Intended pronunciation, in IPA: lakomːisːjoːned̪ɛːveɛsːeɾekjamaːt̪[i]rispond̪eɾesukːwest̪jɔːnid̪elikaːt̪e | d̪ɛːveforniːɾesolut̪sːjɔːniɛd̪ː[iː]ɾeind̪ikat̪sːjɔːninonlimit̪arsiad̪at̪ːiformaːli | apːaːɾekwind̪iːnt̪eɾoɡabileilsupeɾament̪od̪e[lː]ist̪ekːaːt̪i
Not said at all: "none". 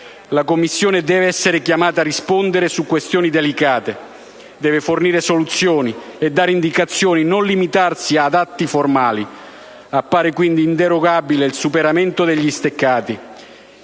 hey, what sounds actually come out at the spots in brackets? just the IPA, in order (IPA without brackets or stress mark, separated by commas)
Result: a, aː, ʎː